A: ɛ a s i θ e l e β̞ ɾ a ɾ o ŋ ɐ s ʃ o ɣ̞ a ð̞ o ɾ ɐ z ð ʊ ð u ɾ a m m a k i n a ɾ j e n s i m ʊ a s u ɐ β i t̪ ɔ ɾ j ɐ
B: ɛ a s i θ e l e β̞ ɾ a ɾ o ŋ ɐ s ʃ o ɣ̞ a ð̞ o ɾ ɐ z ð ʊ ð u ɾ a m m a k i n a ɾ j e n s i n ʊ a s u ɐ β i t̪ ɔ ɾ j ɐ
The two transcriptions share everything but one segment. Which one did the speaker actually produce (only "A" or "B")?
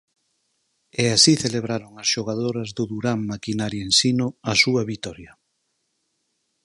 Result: B